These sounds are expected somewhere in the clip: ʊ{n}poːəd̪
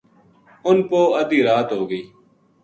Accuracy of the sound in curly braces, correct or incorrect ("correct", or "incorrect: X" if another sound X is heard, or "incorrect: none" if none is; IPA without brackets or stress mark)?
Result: correct